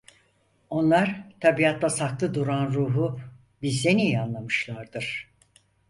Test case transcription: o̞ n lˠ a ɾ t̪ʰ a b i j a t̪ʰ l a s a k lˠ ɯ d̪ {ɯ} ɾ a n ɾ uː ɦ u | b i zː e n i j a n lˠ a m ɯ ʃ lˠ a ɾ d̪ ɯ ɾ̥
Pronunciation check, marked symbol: incorrect: u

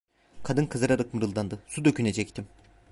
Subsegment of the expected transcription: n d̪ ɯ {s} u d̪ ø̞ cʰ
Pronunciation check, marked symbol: correct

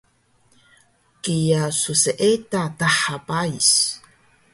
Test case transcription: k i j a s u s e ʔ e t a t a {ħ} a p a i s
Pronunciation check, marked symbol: correct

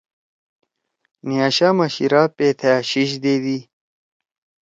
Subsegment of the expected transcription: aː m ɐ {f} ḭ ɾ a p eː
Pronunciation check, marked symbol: incorrect: ɕ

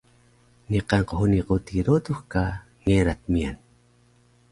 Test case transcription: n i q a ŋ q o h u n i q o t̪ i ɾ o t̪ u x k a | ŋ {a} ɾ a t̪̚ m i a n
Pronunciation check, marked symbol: incorrect: e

